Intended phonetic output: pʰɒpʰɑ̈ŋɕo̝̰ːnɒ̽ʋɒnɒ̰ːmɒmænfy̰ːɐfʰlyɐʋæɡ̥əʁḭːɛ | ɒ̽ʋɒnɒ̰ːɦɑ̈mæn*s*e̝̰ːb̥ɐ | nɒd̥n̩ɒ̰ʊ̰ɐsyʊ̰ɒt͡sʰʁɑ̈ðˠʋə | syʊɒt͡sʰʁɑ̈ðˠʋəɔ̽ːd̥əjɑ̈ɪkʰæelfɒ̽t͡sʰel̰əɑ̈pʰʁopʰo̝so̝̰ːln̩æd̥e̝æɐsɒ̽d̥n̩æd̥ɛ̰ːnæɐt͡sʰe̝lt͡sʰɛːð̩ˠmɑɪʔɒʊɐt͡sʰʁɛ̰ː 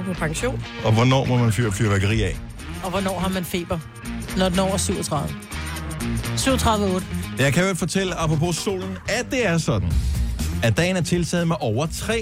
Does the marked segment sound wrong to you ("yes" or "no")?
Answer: yes